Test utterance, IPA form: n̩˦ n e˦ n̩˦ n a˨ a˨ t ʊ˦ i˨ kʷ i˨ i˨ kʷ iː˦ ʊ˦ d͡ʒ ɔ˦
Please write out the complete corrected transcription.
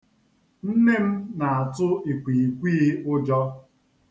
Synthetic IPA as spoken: n̩˦ n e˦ m̩˦ n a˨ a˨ t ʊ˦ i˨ kʷ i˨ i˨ kʷ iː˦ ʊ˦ d͡ʒ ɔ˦